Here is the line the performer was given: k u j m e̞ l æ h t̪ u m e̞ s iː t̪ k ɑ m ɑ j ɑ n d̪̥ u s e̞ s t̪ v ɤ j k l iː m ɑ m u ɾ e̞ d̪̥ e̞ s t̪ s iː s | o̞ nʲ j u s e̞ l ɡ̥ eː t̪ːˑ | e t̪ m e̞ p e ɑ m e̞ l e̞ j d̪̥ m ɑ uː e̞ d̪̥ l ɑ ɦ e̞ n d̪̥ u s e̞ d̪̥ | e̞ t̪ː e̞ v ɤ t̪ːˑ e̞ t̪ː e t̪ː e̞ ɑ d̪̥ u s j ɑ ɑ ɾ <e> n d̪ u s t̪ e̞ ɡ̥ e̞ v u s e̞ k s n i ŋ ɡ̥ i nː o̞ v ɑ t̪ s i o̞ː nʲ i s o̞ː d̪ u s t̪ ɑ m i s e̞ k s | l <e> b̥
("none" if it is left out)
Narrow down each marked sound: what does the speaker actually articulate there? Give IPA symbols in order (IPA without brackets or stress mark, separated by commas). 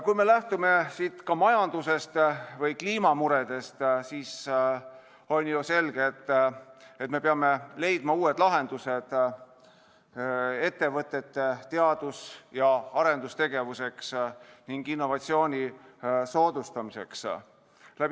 e, æ